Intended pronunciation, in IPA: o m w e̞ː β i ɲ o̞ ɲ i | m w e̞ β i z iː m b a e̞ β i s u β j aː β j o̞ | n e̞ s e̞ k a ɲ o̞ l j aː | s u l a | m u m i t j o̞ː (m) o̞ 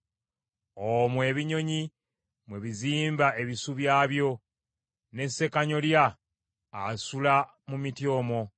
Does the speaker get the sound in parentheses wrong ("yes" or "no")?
no